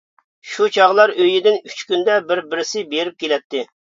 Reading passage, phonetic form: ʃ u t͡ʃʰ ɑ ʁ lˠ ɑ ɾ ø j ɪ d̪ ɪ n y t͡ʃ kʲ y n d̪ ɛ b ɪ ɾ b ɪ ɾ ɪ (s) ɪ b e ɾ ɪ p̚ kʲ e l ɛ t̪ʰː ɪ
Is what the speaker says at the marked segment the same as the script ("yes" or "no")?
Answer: yes